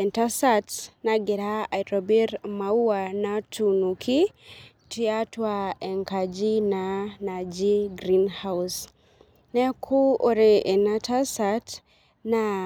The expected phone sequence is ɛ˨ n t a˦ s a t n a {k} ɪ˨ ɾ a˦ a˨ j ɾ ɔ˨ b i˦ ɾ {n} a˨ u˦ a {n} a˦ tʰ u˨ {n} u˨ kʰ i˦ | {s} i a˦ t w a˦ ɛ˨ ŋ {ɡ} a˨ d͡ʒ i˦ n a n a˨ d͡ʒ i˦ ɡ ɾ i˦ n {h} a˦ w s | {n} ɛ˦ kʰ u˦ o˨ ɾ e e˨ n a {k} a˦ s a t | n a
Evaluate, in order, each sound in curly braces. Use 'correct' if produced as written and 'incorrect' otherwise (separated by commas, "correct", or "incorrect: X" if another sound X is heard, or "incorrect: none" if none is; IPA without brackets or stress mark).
incorrect: ɡ, incorrect: m, correct, correct, incorrect: t, incorrect: k, correct, correct, incorrect: t